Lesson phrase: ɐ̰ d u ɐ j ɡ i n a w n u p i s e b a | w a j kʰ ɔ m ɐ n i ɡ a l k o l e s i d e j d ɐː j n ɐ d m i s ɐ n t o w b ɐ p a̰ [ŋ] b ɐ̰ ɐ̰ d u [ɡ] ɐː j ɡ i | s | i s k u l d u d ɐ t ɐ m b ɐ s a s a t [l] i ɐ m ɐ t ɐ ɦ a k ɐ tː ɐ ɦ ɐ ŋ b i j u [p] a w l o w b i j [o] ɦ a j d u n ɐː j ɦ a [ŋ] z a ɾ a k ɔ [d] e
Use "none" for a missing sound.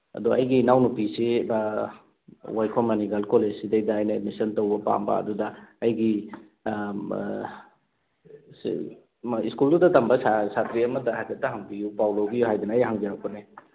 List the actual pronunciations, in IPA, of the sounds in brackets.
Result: m, d, ɾ, p, u, ŋ, n

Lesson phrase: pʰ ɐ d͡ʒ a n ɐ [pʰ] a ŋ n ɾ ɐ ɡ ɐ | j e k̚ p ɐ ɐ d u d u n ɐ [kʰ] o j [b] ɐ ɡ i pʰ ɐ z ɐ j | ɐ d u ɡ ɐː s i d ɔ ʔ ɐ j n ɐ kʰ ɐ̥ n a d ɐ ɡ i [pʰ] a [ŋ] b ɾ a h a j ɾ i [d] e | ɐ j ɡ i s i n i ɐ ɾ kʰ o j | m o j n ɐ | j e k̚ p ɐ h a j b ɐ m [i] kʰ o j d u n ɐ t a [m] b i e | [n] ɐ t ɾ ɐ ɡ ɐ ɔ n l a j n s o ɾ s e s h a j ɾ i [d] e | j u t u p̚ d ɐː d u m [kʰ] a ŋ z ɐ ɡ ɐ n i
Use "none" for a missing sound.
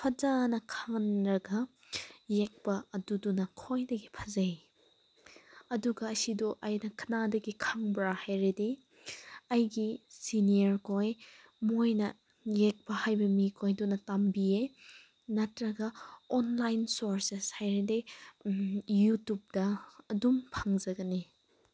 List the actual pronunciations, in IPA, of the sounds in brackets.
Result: kʰ, kʰ, d, kʰ, ŋ, d, i, m, n, d, pʰ

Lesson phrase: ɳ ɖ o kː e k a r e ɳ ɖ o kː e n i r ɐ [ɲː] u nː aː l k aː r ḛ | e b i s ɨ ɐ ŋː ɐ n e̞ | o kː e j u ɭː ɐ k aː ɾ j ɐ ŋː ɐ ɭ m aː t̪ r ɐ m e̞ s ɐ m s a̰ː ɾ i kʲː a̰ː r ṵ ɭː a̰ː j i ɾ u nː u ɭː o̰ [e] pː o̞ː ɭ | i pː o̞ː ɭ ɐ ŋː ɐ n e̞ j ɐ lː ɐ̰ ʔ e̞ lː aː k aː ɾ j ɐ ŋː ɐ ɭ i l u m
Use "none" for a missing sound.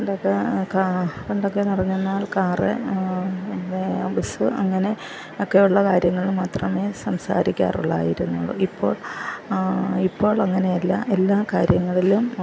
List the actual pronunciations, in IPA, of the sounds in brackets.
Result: ɲː, i

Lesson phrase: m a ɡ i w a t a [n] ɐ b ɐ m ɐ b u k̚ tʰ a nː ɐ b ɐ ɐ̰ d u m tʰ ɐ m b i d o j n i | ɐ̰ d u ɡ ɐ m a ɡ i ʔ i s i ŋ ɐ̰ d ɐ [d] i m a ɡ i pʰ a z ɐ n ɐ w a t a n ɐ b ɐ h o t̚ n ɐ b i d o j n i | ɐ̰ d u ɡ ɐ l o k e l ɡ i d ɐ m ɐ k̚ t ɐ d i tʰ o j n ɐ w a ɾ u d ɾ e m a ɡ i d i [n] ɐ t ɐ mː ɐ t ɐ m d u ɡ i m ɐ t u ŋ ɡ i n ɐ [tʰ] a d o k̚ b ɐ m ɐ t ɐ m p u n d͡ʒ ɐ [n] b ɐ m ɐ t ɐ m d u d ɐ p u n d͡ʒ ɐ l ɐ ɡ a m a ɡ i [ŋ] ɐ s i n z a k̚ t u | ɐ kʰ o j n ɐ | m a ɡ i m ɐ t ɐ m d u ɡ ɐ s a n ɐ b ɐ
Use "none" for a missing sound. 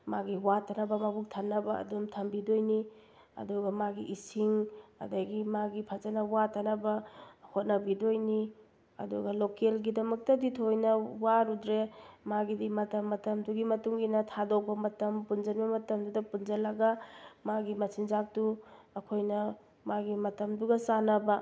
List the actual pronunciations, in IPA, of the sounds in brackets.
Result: n, ɡ, m, tʰ, n, m

